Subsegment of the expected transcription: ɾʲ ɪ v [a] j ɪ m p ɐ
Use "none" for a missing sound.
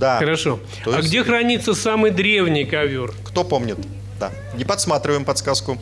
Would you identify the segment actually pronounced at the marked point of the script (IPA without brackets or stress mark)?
ə